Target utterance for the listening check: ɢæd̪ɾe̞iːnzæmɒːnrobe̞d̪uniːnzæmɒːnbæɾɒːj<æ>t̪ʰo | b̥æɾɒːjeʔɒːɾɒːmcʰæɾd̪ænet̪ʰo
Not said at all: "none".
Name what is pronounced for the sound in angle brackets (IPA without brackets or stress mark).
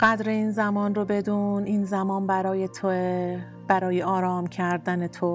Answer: e